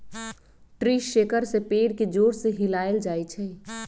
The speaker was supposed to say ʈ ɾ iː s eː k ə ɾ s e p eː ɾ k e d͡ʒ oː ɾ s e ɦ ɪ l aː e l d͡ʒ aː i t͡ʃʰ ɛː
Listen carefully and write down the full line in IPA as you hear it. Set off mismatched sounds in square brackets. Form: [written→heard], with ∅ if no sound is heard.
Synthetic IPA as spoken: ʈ ɾ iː [s→ʃ] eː k ə ɾ s e p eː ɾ k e d͡ʒ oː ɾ s e ɦ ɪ l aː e l d͡ʒ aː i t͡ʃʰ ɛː